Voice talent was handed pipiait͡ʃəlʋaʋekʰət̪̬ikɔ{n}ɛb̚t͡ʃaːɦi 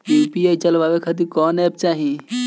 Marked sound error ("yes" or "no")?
no